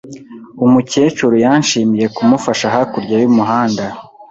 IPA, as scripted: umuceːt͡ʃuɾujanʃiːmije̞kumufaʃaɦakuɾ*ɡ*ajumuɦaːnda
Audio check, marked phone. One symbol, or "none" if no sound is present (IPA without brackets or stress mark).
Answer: ɟ